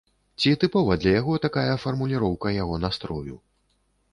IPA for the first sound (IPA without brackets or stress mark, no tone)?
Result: t͡sʲ